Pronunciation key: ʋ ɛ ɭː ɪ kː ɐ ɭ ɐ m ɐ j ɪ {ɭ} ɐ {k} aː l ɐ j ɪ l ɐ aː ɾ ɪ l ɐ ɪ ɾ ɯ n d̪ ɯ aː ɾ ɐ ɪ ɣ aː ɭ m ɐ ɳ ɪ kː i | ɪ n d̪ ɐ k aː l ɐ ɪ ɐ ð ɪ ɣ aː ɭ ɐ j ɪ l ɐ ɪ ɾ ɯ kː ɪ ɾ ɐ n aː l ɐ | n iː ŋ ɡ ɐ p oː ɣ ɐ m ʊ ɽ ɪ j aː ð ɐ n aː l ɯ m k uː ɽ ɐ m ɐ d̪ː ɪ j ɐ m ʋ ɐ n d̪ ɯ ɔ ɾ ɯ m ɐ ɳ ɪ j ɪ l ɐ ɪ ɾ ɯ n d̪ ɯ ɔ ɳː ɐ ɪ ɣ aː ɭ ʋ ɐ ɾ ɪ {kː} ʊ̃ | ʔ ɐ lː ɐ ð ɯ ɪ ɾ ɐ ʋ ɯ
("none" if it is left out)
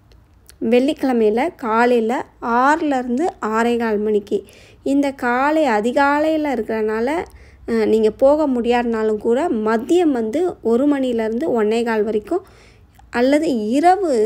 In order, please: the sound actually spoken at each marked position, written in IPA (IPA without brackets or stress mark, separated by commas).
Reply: l, k, kː